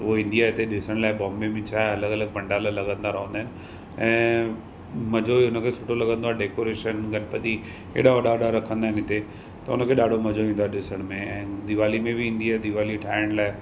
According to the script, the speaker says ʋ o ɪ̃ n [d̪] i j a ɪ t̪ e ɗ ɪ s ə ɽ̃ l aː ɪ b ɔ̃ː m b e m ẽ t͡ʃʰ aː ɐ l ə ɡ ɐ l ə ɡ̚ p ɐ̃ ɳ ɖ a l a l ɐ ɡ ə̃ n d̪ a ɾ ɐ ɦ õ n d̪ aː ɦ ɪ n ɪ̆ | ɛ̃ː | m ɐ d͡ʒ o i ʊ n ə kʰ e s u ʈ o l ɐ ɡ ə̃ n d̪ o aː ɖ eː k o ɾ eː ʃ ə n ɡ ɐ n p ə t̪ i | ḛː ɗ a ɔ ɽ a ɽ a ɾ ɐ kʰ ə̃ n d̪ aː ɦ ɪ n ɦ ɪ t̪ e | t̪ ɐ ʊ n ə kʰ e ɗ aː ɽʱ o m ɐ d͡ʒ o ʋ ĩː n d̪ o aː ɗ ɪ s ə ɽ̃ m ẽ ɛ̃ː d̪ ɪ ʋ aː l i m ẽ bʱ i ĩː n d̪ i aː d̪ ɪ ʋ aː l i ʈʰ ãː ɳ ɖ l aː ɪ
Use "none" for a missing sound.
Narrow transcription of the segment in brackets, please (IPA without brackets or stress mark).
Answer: d̪